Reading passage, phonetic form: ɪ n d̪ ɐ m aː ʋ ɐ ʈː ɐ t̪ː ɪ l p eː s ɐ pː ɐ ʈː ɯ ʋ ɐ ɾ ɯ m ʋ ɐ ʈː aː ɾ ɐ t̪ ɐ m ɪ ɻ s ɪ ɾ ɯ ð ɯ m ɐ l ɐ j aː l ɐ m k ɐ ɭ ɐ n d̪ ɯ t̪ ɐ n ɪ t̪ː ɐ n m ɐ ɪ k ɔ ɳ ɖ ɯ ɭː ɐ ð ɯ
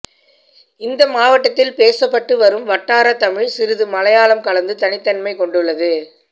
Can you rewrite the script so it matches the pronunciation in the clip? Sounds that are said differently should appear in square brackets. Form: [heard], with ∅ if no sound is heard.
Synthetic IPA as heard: ɪ n d̪ ɐ m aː ʋ ɐ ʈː ɐ t̪ː ɪ l p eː s ɐ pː ɐ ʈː ɯ ʋ ɐ ɾ ɯ m ʋ ɐ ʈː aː ɾ ɐ t̪ ɐ m ɪ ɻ s ɪ ɾ ɯ ð ɯ m ɐ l ɐ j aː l ɐ m k ɐ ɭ ɐ n d̪ ɯ t̪ ɐ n ɪ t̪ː ɐ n m ɐ ɪ k ɔ ɳ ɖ ɯ ɭː ɐ ð ɯ